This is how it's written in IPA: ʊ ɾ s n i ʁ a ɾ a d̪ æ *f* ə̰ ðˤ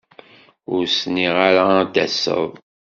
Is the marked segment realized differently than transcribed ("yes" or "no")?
yes